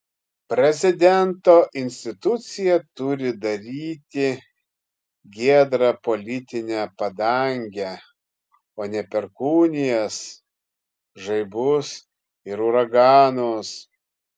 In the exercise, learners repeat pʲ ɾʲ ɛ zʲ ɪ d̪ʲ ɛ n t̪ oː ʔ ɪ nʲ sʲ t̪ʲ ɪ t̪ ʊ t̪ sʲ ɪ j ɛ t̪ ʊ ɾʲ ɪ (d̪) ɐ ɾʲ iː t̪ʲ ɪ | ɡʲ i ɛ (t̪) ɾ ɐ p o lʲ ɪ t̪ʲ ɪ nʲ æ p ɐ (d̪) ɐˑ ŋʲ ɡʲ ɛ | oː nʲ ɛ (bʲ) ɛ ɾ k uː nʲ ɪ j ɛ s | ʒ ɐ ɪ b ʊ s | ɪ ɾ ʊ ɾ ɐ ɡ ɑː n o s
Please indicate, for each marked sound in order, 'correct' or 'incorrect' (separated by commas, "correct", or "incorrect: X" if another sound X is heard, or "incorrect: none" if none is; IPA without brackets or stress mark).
correct, incorrect: d̪, correct, incorrect: pʲ